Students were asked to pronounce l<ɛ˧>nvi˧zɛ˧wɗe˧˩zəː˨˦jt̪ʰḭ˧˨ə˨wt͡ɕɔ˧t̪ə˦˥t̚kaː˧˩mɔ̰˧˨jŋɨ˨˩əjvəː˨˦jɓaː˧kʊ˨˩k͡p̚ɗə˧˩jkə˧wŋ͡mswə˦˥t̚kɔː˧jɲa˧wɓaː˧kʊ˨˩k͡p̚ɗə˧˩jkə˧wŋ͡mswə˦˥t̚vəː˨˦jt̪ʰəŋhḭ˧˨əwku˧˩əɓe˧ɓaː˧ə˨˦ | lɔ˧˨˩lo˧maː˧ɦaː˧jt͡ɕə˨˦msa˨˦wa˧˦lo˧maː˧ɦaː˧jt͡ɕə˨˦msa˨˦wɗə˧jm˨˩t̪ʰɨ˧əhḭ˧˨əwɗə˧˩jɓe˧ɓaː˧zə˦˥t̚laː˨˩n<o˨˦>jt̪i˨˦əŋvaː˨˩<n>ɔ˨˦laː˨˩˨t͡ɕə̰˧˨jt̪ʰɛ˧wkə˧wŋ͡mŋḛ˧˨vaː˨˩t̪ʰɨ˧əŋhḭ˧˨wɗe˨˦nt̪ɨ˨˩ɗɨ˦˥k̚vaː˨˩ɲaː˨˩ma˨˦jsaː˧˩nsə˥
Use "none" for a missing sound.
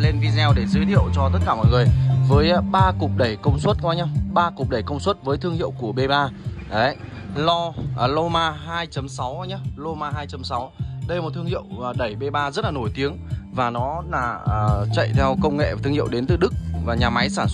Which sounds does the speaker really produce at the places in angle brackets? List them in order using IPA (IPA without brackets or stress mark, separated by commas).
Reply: e˧, o˧˩, n